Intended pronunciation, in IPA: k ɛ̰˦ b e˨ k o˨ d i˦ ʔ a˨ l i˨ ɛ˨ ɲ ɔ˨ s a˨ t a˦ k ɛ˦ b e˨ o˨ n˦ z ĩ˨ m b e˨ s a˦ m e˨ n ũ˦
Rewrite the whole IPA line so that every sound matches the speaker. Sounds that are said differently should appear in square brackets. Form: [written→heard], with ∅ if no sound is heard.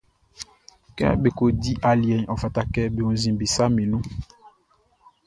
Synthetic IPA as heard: k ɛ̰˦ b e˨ k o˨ d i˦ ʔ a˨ l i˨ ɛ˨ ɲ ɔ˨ [s→f] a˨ t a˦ k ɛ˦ b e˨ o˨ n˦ z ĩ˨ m b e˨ s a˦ m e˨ n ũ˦